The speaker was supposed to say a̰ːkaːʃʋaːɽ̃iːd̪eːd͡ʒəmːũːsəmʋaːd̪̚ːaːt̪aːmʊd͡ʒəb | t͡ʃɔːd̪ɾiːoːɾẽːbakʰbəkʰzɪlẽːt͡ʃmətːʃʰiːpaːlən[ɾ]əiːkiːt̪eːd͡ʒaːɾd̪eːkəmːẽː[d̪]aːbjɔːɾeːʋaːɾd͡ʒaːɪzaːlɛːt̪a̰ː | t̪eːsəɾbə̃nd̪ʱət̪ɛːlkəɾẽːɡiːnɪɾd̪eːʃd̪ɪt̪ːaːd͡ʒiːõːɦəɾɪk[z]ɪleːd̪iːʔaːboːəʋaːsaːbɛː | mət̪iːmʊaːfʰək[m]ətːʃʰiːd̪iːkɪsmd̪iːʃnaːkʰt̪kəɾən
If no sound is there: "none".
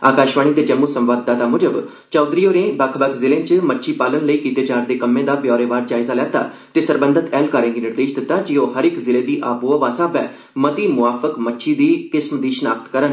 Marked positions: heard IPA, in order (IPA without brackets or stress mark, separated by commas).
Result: l, d̪, z, m